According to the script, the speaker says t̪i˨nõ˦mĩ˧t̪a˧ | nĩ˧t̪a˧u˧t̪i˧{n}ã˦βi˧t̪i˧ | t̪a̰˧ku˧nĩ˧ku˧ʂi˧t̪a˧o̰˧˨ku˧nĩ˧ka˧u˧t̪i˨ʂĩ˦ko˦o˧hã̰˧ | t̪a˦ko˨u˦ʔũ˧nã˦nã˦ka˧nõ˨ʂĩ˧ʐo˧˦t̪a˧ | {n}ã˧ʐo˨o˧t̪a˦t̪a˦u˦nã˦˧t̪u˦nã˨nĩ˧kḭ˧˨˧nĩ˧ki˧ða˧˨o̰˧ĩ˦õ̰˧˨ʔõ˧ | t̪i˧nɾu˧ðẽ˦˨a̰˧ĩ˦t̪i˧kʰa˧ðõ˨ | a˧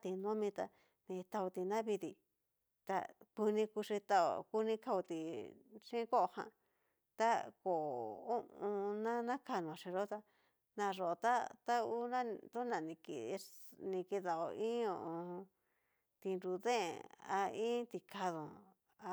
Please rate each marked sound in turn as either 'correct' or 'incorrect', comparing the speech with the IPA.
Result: correct, correct

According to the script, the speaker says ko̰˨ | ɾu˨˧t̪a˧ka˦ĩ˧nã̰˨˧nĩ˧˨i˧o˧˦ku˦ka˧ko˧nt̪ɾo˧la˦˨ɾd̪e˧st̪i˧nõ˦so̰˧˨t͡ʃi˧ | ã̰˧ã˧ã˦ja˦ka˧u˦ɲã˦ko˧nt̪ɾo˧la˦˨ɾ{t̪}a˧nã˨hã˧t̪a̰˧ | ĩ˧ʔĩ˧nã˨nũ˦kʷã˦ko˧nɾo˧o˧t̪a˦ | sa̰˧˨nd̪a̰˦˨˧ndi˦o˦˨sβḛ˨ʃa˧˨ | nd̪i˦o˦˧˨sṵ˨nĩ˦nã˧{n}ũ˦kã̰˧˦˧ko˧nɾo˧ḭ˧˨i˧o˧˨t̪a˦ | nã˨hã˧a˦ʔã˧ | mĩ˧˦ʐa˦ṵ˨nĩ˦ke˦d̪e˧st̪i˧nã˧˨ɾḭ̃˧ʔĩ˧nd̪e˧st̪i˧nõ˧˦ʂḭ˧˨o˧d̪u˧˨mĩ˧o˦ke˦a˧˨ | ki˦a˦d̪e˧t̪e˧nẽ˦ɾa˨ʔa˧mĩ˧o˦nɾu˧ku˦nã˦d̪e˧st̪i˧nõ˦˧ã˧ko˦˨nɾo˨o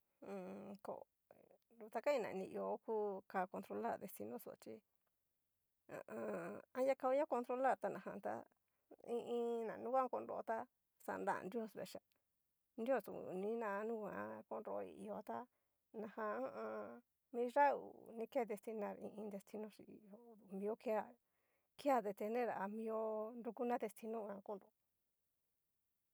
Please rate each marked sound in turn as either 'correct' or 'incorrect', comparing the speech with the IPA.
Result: correct, correct

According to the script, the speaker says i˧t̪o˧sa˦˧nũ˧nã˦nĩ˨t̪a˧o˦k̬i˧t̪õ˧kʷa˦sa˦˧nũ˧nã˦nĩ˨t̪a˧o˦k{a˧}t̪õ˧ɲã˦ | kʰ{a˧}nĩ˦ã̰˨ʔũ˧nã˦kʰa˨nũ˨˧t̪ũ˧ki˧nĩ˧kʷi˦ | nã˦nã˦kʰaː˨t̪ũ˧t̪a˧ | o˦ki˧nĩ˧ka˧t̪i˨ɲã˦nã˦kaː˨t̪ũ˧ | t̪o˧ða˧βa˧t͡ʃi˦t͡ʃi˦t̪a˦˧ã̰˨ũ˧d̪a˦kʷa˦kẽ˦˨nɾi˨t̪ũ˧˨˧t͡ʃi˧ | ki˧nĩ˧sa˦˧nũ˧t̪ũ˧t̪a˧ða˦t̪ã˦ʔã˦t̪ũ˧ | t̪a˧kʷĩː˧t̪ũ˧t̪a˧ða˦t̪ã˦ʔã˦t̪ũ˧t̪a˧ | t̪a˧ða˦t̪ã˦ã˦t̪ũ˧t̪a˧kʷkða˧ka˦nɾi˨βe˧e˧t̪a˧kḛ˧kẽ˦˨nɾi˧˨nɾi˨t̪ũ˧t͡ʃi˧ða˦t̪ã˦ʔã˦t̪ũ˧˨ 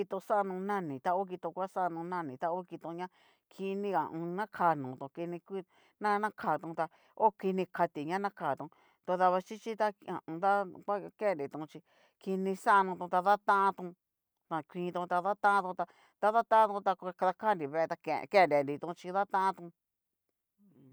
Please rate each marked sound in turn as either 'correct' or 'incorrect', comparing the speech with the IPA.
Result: incorrect: i˧, incorrect: i˧

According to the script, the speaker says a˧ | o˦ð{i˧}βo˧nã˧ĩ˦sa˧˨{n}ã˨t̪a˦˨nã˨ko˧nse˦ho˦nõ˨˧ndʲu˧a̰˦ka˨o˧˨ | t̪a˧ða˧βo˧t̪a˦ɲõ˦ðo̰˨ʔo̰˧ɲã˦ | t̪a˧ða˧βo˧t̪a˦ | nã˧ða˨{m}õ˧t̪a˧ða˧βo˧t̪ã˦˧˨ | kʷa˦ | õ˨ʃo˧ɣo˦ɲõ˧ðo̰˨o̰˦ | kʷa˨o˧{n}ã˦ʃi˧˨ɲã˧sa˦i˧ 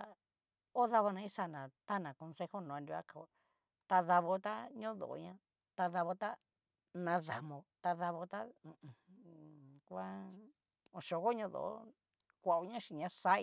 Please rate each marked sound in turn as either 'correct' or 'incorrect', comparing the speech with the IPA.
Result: incorrect: a˧, correct, correct, incorrect: ɲ

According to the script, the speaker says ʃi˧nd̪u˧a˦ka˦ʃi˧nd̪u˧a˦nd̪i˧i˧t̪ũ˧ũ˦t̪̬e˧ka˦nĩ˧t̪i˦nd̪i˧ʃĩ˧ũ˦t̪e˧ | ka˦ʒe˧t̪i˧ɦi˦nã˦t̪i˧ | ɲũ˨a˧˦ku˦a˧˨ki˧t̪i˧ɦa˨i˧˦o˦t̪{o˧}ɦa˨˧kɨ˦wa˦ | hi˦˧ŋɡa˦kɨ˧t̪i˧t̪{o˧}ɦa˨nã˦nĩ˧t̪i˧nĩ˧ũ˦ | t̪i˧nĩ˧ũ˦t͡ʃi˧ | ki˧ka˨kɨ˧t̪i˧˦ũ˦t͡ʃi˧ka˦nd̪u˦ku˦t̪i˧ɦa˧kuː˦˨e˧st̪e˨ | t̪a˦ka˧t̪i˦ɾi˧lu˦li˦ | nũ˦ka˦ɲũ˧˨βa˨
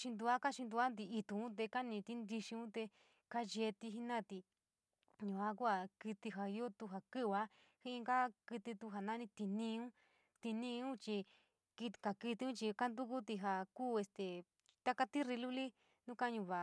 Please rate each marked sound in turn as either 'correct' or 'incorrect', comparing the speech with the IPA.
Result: incorrect: u˧, incorrect: u˧

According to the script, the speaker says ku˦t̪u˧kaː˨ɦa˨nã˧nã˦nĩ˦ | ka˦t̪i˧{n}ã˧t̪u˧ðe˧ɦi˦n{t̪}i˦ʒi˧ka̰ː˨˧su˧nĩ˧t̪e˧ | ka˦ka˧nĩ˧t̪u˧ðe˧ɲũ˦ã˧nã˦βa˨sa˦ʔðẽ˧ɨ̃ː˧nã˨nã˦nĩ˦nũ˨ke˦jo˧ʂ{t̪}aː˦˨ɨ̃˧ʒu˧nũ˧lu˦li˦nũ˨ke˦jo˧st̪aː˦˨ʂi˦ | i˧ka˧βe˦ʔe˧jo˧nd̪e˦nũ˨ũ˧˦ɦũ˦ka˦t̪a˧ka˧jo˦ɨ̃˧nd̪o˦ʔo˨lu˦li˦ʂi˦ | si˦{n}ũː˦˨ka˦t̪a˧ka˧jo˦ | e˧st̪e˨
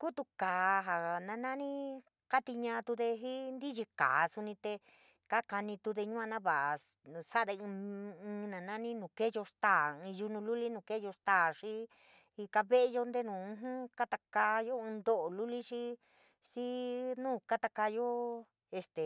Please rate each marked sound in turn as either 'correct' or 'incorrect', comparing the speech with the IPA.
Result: incorrect: ɲ, incorrect: d̪, correct, correct

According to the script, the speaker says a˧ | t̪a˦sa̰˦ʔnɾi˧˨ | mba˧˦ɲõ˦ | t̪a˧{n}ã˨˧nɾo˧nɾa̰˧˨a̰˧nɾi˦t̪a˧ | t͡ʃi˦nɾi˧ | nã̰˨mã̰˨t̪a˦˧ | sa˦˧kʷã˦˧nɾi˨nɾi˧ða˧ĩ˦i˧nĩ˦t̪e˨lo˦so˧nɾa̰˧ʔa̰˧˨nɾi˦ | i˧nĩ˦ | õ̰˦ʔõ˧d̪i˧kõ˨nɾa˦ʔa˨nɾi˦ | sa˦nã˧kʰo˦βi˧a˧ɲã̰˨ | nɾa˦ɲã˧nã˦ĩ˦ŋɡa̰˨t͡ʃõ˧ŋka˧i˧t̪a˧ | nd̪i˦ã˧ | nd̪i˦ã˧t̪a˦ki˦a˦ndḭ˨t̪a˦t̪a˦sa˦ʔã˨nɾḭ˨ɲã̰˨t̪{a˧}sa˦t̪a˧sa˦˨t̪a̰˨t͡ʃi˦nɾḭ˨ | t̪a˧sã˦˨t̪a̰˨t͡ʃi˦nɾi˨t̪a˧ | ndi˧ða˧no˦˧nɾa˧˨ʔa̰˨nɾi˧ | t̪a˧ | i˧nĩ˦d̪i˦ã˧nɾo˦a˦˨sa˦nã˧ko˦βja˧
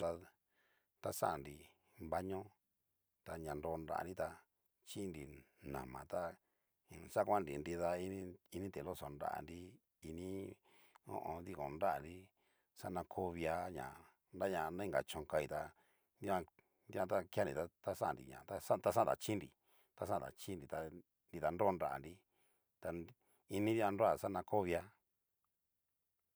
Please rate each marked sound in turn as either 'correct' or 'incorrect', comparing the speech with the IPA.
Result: incorrect: ɲ, correct

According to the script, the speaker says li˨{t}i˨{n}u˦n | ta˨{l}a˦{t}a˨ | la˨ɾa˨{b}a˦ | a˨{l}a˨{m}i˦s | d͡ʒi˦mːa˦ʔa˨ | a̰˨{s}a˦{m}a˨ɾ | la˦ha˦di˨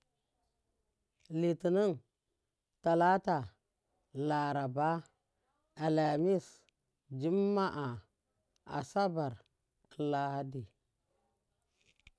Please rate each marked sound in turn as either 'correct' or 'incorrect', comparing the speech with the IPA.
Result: correct, correct, correct, correct, correct, correct, correct, correct, incorrect: b

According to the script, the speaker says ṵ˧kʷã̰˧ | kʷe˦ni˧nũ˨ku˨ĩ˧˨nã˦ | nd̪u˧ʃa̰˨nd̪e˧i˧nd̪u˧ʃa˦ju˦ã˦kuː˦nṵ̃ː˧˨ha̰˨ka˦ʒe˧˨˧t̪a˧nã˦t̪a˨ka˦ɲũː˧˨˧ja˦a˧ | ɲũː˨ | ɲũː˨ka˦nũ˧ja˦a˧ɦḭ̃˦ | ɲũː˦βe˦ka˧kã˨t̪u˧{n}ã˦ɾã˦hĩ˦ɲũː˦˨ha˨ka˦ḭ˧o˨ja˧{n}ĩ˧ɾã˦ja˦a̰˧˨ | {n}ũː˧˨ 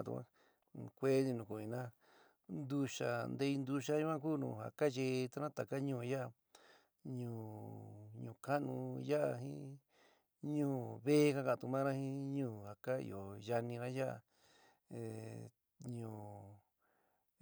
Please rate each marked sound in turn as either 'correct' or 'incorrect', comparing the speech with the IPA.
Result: incorrect: m, correct, incorrect: ɲ

